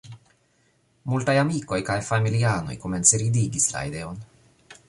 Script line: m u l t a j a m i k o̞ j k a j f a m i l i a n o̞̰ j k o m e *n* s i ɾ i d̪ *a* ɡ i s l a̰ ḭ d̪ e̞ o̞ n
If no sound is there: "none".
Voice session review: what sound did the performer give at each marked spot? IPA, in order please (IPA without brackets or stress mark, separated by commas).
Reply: n, i